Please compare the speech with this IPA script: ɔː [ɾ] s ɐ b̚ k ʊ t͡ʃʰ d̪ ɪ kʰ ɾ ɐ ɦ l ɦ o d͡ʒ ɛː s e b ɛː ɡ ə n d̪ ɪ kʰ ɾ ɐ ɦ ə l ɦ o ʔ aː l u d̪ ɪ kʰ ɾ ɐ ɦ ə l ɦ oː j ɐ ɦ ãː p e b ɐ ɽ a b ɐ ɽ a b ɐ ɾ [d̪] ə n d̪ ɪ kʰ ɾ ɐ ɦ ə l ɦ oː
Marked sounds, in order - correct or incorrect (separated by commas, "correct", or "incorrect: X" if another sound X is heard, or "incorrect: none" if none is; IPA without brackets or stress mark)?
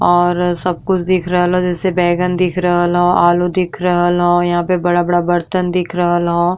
correct, incorrect: t̪